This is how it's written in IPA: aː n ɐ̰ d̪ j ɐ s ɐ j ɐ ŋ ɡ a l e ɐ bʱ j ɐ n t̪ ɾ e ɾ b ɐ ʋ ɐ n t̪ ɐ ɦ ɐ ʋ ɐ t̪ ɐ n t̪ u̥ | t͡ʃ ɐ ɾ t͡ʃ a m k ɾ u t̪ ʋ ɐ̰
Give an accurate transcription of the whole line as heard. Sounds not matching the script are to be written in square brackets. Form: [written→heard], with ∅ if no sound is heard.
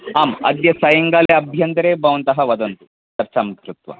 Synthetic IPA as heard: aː [n→m] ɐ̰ d̪ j ɐ s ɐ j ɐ ŋ ɡ a l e ɐ bʱ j ɐ n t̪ ɾ e [ɾ→∅] b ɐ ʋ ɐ n t̪ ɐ ɦ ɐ ʋ ɐ [t̪→d̪] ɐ n t̪ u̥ | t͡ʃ ɐ ɾ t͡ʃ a m k ɾ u t̪ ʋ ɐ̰